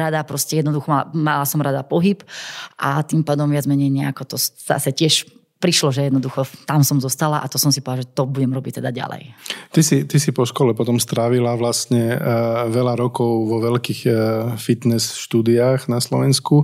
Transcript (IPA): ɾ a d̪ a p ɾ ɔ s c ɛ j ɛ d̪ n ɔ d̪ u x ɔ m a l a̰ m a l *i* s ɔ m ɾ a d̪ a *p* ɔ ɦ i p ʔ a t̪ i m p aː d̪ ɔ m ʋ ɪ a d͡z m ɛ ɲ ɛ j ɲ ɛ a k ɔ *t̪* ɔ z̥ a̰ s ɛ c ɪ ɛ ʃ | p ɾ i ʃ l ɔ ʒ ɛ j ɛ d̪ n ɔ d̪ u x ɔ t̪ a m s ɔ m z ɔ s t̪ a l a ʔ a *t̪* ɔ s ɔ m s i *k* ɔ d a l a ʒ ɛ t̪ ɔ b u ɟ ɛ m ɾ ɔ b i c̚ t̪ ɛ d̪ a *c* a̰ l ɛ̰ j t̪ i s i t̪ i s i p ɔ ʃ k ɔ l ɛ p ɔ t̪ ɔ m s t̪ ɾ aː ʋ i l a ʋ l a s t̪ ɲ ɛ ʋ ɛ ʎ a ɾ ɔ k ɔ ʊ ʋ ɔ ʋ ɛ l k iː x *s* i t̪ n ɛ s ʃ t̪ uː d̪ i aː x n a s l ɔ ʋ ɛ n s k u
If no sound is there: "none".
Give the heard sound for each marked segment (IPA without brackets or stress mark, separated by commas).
a, p, t̪, t̪, p, ɟ, f